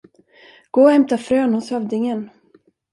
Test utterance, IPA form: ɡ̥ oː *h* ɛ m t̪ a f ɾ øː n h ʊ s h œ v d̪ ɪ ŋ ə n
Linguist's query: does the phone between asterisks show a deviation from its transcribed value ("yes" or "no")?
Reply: no